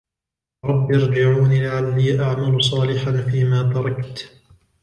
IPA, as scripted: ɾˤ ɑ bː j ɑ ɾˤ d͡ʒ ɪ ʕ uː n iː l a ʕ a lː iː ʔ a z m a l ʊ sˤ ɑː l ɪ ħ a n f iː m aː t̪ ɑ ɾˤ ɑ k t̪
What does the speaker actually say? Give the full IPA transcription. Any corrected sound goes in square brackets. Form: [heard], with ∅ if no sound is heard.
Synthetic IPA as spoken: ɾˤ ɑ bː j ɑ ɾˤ d͡ʒ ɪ ʕ uː n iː l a ʕ a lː iː ʔ a [ʕ] m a l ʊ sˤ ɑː l ɪ ħ a n f iː m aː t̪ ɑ ɾˤ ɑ k t̪